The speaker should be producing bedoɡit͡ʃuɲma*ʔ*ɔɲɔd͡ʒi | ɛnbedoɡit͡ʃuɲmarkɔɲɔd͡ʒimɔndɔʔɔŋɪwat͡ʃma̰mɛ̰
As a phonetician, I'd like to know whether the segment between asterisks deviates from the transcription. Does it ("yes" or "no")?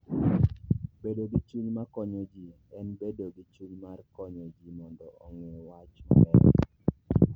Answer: yes